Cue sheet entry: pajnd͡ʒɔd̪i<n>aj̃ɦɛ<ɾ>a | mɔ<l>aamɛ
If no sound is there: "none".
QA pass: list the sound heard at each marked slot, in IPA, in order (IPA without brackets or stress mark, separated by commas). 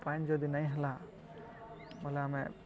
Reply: n, l, l